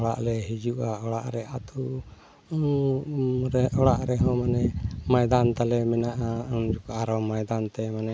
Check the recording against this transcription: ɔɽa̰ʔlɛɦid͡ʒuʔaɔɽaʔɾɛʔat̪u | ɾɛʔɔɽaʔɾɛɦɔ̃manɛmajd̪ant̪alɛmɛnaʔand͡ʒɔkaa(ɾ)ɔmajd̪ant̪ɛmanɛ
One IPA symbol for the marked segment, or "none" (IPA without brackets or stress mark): ɾ